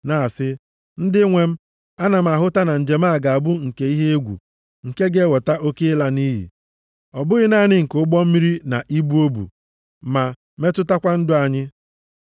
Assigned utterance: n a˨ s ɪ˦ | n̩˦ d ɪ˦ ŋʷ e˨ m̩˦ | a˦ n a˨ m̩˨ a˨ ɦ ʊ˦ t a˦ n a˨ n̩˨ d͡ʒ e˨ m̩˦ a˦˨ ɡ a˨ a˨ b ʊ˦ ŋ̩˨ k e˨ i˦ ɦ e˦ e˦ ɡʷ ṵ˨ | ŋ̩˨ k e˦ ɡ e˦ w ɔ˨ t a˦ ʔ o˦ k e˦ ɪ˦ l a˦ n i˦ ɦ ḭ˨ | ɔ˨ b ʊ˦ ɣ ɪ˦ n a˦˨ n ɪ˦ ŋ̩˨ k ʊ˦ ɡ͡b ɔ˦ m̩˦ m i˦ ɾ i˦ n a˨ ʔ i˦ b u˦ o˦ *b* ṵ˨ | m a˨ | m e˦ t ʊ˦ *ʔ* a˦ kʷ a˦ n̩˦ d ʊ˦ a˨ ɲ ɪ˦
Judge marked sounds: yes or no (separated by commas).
yes, no